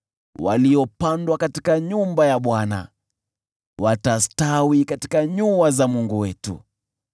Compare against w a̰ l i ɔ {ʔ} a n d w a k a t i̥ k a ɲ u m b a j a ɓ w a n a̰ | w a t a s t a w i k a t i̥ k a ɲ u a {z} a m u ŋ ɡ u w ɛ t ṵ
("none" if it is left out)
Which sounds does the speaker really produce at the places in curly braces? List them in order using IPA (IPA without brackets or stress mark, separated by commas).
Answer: p, z